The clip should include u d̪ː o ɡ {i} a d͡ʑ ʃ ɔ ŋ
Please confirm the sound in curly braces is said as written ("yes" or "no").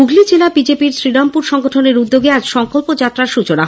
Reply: no